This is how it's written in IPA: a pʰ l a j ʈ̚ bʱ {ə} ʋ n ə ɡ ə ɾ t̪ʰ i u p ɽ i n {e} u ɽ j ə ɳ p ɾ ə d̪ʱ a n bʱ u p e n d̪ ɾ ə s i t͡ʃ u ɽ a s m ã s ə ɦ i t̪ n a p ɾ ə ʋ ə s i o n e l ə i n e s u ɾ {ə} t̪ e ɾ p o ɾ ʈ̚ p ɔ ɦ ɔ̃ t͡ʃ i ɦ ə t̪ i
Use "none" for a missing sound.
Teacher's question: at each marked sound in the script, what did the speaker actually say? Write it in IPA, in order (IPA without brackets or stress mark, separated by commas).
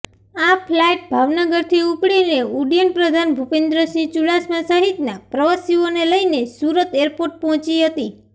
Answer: a, e, ə